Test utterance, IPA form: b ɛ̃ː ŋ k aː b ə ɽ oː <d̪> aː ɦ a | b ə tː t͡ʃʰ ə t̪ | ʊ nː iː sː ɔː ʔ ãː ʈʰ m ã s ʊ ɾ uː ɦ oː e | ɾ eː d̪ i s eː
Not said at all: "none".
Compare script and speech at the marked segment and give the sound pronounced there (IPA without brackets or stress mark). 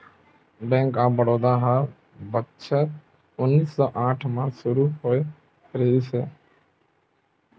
d̪